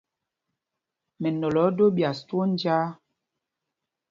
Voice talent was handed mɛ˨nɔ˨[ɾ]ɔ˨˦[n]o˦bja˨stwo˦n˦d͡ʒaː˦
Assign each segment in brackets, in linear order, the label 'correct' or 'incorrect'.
incorrect: l, incorrect: d

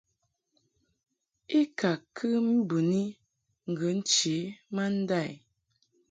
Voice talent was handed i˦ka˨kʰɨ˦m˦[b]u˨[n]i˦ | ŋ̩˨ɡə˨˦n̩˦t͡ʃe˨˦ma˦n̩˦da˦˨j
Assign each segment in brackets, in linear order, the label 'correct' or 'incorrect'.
correct, correct

